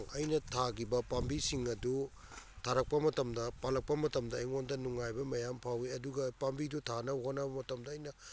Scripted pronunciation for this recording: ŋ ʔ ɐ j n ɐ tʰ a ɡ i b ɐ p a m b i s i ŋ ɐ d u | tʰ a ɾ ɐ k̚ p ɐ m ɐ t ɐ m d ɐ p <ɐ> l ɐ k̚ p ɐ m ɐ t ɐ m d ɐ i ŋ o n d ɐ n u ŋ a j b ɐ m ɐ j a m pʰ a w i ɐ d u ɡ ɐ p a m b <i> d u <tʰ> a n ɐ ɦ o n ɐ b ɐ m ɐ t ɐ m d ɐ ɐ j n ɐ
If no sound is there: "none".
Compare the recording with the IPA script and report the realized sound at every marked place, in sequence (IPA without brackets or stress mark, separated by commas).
a, i, tʰ